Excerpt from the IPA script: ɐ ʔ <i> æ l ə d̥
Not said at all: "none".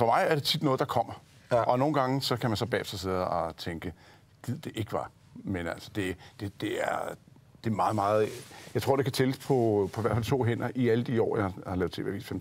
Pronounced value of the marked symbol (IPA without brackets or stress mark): i